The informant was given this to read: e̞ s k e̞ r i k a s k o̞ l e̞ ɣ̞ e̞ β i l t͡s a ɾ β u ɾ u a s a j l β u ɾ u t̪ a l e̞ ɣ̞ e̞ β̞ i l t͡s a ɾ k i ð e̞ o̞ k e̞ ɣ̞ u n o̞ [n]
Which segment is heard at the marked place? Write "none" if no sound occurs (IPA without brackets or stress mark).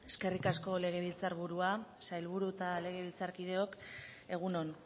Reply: n